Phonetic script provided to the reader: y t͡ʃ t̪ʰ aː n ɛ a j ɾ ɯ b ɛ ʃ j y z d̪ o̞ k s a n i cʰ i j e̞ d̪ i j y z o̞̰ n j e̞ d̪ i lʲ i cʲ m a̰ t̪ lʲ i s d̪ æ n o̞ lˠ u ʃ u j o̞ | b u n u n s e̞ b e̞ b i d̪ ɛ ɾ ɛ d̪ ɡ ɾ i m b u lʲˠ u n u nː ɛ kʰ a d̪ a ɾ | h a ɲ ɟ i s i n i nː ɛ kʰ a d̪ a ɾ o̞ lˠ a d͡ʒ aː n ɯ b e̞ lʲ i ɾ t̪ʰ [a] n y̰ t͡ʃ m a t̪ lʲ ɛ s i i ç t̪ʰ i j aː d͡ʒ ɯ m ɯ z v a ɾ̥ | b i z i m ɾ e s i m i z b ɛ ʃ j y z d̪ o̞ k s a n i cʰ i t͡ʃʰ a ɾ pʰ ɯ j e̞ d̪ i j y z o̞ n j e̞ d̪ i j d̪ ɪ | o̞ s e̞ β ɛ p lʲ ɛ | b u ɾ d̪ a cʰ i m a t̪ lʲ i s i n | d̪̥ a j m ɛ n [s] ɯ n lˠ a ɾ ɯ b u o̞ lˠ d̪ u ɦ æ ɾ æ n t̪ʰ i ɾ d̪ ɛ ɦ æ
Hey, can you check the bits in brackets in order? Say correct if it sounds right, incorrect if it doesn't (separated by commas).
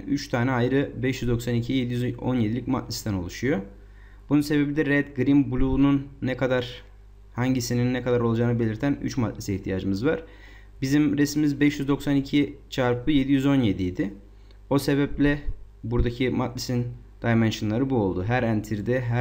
incorrect, incorrect